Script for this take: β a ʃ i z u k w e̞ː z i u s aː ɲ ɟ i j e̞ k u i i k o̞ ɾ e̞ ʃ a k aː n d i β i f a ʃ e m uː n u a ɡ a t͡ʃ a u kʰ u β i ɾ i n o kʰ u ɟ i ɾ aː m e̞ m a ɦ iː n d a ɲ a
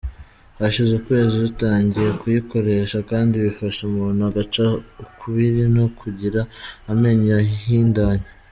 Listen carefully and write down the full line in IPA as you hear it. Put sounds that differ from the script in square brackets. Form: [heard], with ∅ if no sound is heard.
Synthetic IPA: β a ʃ i z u k w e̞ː z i u [t] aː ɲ ɟ i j e̞ k u [j] i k o̞ ɾ e̞ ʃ a k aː n d i β i f a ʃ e m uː n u a ɡ a t͡ʃ a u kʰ u β i ɾ i n o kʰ u ɟ i ɾ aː m e̞ [ɲ] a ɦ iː n d a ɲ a